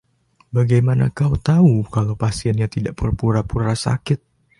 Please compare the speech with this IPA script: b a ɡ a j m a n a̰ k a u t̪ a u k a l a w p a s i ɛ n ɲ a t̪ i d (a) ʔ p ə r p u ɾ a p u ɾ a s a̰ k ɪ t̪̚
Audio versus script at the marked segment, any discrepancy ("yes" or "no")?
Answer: no